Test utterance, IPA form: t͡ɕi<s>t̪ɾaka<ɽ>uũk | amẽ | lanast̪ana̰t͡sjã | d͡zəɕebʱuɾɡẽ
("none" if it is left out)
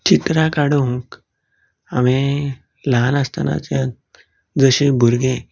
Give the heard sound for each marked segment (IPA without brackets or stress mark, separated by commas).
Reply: none, ɽ